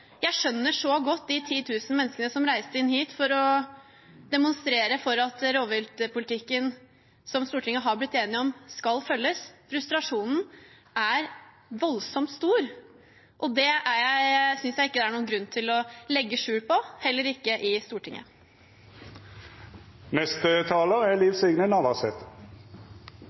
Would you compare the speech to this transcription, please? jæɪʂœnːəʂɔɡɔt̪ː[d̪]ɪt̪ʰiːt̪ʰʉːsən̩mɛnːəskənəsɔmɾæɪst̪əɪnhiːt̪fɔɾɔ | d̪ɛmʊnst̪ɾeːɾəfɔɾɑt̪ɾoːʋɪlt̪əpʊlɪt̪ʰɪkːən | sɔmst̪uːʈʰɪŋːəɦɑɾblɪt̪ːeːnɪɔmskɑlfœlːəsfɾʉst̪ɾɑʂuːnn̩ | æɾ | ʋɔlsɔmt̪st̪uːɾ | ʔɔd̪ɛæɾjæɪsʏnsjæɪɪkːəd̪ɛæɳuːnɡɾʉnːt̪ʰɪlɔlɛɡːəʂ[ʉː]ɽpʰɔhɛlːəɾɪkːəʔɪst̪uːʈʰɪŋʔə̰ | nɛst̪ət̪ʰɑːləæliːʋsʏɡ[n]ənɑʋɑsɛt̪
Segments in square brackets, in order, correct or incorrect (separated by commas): correct, correct, correct